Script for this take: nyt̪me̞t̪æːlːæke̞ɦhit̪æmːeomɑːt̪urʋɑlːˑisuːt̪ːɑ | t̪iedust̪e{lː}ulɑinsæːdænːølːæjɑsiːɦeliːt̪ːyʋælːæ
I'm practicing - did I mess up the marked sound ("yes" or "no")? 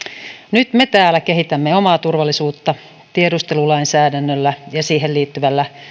yes